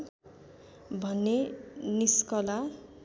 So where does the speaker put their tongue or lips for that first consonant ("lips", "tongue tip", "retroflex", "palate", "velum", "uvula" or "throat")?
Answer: lips